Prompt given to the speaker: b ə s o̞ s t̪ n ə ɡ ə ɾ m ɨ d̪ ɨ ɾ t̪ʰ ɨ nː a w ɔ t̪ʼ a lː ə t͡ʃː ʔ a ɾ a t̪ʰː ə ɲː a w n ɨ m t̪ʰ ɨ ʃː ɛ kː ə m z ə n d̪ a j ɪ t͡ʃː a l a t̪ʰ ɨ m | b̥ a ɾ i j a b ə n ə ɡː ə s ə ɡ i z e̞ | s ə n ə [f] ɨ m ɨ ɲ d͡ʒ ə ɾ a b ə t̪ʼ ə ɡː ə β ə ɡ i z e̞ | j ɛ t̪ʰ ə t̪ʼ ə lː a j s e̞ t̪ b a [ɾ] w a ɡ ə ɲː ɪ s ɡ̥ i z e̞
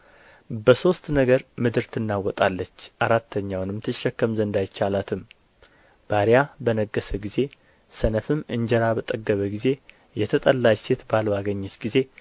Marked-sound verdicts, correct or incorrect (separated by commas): correct, incorrect